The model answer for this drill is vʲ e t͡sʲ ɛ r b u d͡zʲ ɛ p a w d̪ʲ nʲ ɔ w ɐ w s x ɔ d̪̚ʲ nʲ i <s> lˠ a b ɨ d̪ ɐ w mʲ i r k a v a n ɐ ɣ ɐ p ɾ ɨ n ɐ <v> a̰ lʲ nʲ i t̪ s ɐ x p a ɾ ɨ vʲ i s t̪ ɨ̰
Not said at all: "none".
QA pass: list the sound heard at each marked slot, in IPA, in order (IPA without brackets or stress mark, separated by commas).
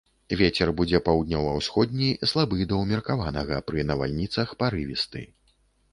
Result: s, v